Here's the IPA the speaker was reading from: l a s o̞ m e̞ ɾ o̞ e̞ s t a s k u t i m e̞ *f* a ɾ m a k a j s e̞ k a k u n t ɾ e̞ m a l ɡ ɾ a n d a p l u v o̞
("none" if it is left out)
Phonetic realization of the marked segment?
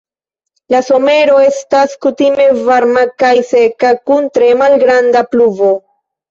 v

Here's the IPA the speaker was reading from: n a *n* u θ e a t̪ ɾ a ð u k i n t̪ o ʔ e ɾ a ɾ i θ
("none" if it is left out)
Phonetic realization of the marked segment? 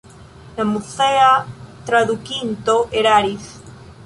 m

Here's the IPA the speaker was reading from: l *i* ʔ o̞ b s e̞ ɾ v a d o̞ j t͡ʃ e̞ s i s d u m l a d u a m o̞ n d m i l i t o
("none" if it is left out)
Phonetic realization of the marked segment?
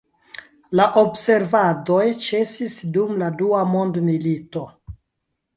a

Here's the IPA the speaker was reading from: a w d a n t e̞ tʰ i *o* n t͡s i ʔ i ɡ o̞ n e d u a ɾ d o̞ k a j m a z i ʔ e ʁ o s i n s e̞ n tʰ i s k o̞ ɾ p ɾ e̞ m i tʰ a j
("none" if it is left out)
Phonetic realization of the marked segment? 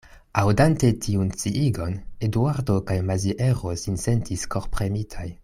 u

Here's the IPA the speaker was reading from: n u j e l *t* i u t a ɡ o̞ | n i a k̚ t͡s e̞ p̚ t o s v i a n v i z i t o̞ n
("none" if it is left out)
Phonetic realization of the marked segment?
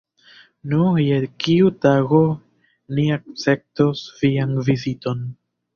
k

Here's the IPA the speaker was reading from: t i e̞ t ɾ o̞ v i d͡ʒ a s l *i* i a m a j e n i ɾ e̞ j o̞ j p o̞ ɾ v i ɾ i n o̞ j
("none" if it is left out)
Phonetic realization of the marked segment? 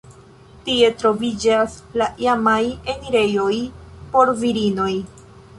a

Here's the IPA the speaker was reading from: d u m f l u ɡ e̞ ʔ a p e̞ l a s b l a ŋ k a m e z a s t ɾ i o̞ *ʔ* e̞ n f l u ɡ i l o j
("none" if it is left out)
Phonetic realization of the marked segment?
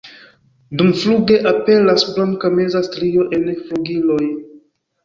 ʔ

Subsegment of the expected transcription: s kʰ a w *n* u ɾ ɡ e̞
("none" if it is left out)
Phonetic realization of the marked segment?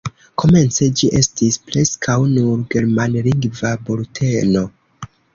n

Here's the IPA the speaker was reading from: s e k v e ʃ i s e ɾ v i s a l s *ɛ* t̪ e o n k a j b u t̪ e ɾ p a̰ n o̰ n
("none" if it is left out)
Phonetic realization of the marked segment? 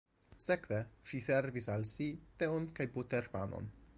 i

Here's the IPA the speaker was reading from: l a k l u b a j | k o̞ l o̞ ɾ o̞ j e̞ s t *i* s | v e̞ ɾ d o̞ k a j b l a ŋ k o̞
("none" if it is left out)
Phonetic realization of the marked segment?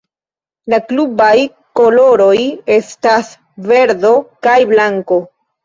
a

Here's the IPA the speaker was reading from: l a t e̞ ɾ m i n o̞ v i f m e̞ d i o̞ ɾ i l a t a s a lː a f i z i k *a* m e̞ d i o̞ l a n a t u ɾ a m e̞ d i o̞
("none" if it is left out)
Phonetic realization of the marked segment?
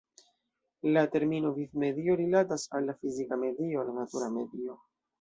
a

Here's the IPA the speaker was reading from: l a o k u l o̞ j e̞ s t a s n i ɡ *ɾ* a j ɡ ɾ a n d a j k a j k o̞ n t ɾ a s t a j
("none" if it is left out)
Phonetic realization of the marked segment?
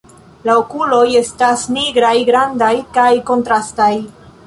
ɾ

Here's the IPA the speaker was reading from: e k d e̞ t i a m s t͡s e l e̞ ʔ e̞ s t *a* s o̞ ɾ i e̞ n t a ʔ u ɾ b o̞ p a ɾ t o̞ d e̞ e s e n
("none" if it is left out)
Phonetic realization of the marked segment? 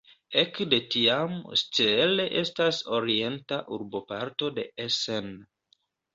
a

